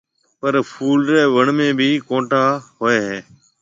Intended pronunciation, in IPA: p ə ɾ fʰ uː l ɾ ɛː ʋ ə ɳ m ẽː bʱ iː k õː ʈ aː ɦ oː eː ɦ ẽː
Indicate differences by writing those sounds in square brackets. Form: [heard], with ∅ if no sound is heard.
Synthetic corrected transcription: p ə ɾ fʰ uː l ɾ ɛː ʋ ə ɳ m ẽː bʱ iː k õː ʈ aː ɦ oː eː ɦ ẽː